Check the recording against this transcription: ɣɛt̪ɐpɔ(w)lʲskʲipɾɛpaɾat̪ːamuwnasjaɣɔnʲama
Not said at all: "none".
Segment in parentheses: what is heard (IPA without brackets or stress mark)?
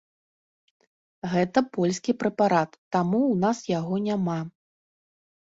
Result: none